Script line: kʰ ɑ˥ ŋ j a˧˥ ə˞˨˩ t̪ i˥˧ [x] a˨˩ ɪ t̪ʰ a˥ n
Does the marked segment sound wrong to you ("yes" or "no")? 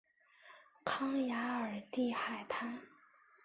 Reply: no